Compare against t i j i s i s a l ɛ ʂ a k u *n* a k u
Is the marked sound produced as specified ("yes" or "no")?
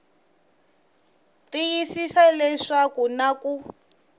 yes